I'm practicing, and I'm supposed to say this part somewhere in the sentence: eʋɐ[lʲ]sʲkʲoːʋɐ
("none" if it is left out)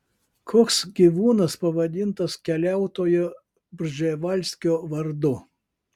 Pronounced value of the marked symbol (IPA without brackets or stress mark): lʲ